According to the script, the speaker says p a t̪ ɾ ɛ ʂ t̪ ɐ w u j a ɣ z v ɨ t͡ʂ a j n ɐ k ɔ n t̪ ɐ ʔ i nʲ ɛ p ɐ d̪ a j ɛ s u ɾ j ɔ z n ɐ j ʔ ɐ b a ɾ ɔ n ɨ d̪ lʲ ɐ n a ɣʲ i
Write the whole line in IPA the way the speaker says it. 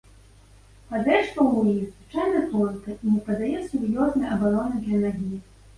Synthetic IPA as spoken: p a d̪ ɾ ɛ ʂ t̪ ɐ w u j i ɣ z v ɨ t͡ʂ a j n ɐ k ɔ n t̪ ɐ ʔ i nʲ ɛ p ɐ d̪ a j ɛ s u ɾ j ɔ z n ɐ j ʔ ɐ b a ɾ ɔ n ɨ d̪ lʲ ɐ n a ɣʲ i